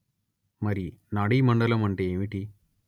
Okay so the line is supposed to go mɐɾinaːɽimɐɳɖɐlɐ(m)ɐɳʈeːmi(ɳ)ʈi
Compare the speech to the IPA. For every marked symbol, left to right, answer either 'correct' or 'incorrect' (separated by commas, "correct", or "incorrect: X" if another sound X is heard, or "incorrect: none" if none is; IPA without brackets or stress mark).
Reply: correct, incorrect: none